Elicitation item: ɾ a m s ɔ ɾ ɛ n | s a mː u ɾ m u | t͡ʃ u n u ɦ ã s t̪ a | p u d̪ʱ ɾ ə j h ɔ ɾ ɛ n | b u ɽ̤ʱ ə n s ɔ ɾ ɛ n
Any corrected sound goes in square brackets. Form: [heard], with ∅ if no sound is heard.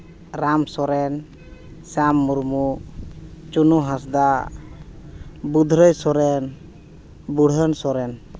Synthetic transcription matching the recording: ɾ a m s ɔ ɾ ɛ n | s a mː u ɾ m u | t͡ʃ u n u ɦ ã s [d̪] a | [b] u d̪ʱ ɾ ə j [s] ɔ ɾ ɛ n | b u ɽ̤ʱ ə n s ɔ ɾ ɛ n